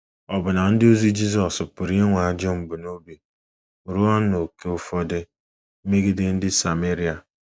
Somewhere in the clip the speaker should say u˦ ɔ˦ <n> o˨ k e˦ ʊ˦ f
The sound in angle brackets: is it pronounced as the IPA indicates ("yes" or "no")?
yes